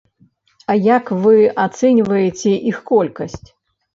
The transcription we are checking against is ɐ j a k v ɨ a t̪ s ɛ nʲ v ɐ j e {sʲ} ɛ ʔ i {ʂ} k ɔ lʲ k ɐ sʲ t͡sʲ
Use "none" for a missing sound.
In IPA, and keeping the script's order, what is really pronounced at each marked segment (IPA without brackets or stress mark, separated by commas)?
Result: t͡sʲ, x